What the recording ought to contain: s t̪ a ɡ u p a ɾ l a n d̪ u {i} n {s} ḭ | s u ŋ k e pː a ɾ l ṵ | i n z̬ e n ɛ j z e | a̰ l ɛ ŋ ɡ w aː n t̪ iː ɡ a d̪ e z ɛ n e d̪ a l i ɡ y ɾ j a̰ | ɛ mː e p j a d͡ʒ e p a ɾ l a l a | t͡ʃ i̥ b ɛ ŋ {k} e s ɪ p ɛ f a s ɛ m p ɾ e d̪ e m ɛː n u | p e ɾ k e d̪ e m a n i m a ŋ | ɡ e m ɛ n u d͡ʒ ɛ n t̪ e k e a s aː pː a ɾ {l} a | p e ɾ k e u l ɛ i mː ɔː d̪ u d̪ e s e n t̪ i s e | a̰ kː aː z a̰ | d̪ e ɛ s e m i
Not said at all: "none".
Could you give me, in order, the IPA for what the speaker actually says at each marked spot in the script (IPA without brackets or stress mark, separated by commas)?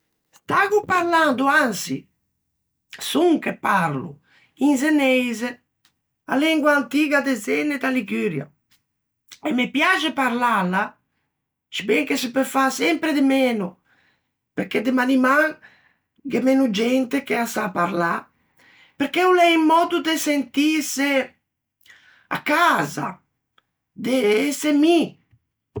a, s, k, l